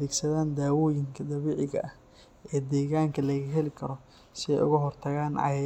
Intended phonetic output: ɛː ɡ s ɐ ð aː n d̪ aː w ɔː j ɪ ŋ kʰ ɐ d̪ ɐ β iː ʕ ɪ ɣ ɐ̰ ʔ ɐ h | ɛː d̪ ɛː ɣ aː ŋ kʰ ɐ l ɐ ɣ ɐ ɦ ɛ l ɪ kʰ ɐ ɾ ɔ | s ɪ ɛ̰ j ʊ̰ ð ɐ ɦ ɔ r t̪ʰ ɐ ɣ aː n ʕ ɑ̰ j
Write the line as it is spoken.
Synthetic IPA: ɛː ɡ s ɐ ð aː n d̪ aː w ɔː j ɪ ŋ kʰ ɐ d̪ ɐ β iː ʕ ɪ ɣ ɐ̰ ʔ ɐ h | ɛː d̪ ɛː ɣ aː ŋ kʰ ɐ l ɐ ɣ ɐ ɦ ɛ l ɪ kʰ ɐ ɾ ɔ | s ɪ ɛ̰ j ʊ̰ ɣ ɐ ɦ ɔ r t̪ʰ ɐ ɣ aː n ʕ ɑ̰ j